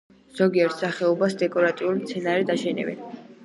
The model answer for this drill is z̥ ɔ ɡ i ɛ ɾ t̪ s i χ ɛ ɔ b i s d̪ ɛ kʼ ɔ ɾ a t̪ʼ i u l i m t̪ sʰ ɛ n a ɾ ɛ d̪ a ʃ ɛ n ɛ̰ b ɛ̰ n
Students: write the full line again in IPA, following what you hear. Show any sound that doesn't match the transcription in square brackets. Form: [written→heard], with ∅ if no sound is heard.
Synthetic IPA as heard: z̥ ɔ ɡ i ɛ ɾ t̪ s [i→a] χ ɛ ɔ b [i→a] s d̪ ɛ kʼ ɔ ɾ a t̪ʼ i u l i m t̪ sʰ ɛ n a ɾ ɛ d̪ a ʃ ɛ n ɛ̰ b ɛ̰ n